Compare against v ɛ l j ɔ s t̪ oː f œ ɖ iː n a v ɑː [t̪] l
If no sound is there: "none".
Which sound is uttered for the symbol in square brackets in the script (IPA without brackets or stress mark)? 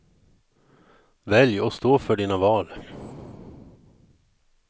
none